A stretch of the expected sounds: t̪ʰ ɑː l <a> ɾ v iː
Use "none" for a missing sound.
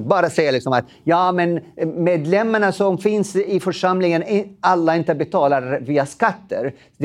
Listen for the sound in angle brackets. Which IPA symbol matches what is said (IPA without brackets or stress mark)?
a